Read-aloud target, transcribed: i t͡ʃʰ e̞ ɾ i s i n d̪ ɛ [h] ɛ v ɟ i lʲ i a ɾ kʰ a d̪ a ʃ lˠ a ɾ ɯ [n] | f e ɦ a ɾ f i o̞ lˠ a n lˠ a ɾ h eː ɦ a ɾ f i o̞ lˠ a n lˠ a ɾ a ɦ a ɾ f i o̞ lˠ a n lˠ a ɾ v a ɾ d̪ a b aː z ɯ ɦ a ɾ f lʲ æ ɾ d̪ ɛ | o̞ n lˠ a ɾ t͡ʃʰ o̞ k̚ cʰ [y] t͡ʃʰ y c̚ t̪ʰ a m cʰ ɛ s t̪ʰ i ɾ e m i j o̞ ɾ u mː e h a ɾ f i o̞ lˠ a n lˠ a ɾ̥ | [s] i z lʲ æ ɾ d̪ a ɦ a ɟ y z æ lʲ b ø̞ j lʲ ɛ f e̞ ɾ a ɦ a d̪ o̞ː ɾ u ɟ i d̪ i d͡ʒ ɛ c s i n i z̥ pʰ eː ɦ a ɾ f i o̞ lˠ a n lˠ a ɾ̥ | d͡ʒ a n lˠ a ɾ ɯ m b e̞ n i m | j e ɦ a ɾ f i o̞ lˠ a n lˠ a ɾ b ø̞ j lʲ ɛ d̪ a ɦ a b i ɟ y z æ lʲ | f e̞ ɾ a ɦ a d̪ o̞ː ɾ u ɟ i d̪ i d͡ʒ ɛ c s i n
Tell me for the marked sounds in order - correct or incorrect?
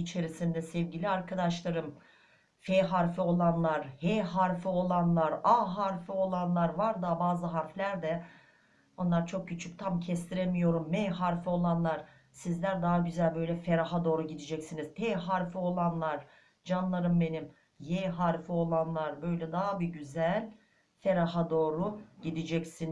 incorrect, incorrect, correct, correct

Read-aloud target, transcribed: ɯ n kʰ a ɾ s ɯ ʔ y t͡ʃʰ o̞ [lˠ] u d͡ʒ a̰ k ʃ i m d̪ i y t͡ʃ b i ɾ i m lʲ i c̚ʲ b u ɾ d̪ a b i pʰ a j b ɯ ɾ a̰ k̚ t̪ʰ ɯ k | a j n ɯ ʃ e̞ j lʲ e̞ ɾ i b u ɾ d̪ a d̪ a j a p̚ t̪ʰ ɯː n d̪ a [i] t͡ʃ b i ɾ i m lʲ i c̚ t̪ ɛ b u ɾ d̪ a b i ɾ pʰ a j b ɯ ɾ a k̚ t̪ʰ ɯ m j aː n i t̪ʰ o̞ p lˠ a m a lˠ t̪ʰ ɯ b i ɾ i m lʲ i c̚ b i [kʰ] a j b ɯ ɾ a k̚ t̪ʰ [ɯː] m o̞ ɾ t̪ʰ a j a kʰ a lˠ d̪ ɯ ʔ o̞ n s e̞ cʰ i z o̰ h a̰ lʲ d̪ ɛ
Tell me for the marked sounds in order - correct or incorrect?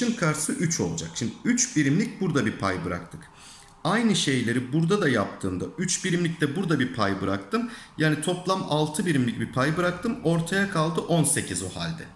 correct, incorrect, incorrect, incorrect

